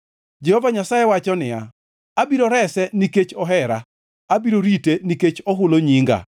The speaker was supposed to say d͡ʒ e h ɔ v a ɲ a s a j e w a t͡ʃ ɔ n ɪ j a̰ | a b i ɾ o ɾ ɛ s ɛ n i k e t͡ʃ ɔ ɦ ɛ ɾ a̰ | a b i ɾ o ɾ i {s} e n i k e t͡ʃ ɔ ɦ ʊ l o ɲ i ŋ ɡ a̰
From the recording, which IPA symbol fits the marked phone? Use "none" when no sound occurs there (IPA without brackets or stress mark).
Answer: t